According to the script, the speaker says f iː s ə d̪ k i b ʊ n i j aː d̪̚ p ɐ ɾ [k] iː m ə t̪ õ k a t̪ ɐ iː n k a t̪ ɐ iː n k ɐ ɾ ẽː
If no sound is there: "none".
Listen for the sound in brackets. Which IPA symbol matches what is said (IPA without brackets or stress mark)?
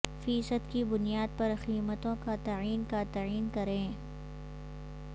x